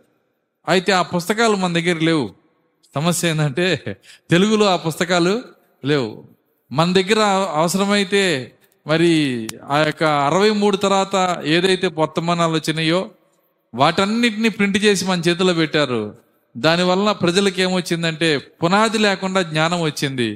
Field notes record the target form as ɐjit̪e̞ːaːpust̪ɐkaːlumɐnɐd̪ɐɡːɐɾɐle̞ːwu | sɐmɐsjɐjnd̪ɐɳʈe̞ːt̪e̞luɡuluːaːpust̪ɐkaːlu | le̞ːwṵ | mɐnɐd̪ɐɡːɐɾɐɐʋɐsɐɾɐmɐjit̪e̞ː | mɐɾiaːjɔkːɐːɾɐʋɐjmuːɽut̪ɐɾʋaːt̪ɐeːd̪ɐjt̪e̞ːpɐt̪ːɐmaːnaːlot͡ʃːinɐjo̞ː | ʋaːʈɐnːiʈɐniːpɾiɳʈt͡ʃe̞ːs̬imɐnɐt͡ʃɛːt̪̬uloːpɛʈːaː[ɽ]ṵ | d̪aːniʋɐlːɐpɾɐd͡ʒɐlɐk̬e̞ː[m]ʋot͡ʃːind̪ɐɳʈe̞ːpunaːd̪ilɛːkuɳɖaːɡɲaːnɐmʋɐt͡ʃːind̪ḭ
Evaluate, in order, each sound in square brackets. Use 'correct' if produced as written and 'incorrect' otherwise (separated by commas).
incorrect, correct